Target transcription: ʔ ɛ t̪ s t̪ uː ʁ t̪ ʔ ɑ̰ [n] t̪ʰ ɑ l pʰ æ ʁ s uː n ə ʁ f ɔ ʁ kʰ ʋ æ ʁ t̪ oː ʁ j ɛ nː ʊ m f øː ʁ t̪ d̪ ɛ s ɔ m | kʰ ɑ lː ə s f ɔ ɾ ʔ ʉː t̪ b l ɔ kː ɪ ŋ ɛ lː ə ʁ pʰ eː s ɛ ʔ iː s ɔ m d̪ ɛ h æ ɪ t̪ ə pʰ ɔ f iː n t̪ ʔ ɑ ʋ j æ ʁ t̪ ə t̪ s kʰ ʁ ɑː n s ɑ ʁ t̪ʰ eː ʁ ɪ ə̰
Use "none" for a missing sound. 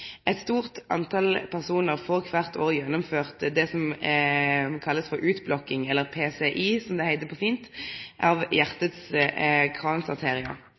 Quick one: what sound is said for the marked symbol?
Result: n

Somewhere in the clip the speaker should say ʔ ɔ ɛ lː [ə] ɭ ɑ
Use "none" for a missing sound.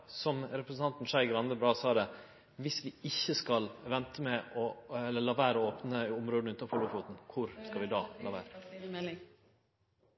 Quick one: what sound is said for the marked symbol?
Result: ə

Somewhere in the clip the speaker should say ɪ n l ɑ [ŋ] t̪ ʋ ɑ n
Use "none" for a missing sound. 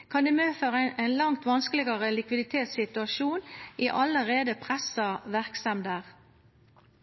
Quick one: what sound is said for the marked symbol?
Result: ŋ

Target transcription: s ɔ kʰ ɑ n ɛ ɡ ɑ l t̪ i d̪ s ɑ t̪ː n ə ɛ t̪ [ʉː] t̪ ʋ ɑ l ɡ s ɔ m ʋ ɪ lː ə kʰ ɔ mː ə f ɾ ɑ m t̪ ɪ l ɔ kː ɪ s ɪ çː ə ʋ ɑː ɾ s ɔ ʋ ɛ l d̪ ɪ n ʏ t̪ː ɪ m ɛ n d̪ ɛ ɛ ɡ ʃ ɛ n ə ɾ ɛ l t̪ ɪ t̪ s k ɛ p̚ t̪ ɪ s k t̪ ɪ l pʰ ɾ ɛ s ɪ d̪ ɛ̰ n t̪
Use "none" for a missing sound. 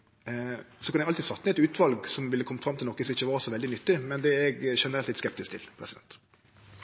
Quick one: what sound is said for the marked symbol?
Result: ʉː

